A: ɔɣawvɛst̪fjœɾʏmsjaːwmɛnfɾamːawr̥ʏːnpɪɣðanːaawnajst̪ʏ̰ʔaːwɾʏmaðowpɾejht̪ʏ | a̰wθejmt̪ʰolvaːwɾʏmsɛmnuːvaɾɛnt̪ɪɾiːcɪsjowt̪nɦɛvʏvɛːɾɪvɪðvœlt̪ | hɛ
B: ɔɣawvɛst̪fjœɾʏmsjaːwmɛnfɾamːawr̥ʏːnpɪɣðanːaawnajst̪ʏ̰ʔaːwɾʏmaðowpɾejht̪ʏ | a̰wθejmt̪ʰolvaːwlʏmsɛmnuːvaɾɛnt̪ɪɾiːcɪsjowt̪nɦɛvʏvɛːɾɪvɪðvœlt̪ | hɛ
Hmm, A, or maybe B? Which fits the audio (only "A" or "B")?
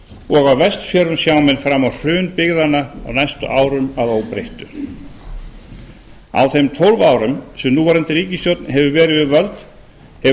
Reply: A